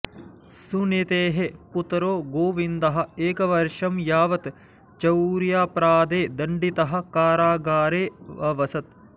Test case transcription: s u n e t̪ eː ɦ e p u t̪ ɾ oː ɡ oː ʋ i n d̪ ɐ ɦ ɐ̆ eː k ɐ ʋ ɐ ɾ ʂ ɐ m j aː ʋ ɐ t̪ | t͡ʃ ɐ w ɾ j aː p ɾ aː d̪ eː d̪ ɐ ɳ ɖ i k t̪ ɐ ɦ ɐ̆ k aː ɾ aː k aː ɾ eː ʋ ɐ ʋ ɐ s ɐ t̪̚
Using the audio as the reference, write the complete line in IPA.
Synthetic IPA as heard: s u n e t̪ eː ɦ e p u t̪ ɾ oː ɡ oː ʋ i n d̪ ɐ ɦ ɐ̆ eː k ɐ ʋ ɐ ɾ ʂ ɐ m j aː ʋ ɐ t̪ | t͡ʃ ɐ w ɾ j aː p ɾ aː d̪ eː d̪ ɐ ɳ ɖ i t̪ ɐ ɦ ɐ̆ k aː ɾ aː ɡ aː ɾ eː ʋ ɐ ʋ ɐ s ɐ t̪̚